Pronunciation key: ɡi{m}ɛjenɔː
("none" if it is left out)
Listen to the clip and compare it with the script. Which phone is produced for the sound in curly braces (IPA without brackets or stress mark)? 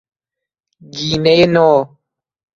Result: n